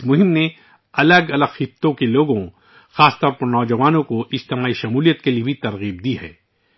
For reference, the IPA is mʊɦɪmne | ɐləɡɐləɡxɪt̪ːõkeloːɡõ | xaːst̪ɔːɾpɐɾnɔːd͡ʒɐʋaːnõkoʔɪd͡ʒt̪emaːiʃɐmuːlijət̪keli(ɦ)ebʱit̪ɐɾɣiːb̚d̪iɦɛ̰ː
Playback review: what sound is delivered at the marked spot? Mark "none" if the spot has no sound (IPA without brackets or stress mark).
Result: none